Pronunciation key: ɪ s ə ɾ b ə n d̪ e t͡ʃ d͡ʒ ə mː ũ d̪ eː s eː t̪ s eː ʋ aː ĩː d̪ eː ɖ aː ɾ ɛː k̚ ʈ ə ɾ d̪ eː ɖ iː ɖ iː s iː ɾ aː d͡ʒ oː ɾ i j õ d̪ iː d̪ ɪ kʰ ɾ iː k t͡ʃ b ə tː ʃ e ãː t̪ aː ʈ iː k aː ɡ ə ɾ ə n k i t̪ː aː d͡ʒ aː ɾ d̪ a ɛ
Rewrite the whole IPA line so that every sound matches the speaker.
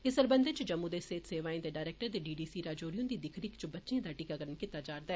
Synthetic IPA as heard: ɪ s ə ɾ b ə n d̪ e t͡ʃ d͡ʒ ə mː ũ d̪ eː s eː t̪ s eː ʋ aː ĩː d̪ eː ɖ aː ɾ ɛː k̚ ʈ ə ɾ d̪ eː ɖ iː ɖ iː s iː ɾ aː d͡ʒ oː ɾ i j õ d̪ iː d̪ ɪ kʰ ɾ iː k t͡ʃ b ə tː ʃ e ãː d̪ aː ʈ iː k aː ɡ ə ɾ ə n k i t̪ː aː d͡ʒ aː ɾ d̪ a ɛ